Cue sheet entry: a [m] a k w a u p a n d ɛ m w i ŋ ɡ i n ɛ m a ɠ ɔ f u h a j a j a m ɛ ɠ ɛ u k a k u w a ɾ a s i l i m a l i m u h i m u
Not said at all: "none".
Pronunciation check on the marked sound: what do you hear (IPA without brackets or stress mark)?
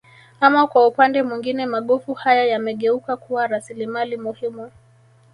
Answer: m